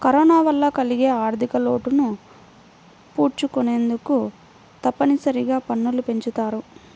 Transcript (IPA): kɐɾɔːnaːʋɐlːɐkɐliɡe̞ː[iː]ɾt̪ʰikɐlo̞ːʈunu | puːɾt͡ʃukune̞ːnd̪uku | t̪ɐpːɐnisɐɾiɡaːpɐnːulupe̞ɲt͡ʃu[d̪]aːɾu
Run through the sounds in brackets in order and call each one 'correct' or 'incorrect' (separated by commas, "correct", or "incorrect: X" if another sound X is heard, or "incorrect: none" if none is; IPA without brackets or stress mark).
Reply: incorrect: aː, incorrect: t̪